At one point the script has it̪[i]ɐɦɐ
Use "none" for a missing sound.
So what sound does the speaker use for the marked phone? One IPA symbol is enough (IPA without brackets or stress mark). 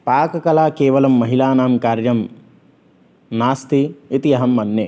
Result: i